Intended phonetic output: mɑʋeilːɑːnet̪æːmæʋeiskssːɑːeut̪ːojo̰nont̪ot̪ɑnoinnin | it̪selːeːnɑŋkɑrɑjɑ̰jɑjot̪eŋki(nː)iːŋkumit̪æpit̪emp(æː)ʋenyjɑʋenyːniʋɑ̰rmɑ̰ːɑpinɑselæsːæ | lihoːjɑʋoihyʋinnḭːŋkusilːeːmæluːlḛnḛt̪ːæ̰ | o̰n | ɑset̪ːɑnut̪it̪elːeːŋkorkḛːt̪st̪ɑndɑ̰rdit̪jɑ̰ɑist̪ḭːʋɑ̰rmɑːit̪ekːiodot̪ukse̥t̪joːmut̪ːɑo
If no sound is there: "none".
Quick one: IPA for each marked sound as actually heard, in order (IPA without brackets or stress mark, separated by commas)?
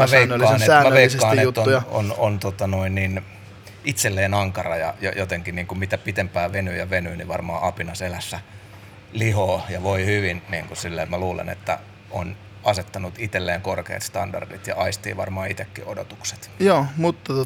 n, æː